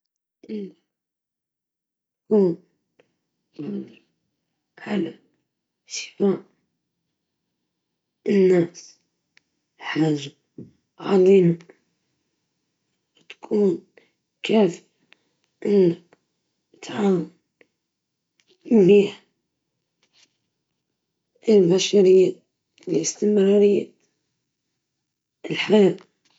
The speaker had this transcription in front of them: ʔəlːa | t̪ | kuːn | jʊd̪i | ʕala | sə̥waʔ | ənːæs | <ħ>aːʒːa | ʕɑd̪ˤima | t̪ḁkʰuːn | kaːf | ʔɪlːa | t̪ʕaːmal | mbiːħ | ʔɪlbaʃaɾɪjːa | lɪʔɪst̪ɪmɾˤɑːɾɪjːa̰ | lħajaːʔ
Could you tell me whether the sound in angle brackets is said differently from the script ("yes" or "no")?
no